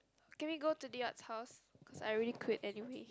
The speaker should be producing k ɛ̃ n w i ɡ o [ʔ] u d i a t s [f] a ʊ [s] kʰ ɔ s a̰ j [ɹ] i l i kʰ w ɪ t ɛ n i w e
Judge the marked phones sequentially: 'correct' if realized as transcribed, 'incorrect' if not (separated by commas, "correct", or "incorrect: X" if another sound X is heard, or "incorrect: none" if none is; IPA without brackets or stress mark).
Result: incorrect: t, incorrect: h, correct, correct